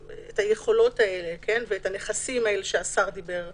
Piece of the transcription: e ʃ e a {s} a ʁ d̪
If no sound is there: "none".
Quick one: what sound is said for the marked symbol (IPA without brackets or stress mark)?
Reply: s